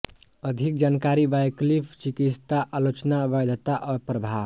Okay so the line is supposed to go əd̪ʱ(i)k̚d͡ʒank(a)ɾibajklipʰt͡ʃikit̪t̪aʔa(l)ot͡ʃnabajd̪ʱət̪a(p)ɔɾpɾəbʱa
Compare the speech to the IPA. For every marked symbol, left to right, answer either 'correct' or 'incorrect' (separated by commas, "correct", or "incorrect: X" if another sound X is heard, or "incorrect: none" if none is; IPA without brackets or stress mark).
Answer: correct, correct, correct, incorrect: ʔ